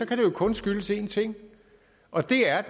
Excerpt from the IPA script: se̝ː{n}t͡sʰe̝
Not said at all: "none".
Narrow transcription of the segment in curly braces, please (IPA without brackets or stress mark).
n